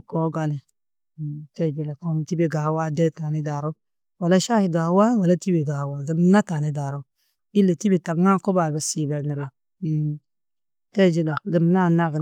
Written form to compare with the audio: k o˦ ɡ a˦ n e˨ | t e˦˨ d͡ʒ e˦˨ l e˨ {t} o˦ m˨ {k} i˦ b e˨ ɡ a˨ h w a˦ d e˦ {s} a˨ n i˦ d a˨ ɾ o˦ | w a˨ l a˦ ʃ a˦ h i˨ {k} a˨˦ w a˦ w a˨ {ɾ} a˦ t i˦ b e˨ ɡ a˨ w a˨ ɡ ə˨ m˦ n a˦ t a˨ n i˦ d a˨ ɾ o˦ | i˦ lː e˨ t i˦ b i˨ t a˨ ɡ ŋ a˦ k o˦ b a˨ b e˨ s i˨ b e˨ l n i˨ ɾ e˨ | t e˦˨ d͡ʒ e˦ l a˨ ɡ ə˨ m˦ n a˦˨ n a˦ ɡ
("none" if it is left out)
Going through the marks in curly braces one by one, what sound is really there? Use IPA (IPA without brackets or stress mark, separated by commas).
k, t, t, ɡ, l